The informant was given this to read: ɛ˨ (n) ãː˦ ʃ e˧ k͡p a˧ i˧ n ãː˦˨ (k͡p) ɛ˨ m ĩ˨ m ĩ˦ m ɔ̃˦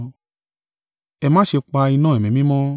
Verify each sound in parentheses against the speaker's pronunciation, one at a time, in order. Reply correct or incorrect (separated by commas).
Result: incorrect, incorrect